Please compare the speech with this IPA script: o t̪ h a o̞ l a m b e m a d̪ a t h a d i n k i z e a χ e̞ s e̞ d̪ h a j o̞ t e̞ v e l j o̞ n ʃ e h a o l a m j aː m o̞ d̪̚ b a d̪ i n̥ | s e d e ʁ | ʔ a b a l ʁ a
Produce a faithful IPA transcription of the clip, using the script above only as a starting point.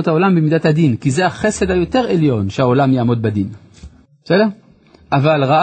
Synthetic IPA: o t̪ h a o̞ l a m b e m i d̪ a t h a d i n k i z e a χ e̞ s e̞ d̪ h a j o̞ t e̞ ʁ e l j o̞ n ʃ e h a o l a m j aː m o̞ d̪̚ b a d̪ i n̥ | s e d e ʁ | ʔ a v a l ʁ a